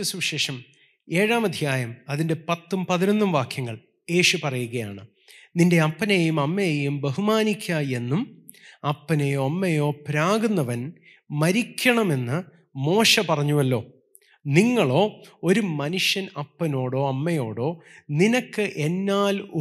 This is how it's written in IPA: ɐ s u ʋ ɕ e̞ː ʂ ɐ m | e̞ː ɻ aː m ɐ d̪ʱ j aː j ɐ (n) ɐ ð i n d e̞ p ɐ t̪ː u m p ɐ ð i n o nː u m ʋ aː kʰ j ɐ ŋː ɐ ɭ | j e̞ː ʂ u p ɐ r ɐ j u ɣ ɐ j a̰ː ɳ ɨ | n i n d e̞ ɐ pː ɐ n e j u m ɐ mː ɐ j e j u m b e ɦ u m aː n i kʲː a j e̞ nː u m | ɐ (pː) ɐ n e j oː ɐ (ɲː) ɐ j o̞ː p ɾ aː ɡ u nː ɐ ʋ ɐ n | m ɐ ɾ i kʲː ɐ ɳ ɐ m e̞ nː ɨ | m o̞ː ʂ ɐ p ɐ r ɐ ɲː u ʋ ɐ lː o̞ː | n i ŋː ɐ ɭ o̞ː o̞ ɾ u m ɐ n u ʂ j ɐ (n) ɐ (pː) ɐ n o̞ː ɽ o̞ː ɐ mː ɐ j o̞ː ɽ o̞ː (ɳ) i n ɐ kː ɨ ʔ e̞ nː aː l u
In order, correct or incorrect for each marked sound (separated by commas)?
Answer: incorrect, correct, incorrect, correct, correct, incorrect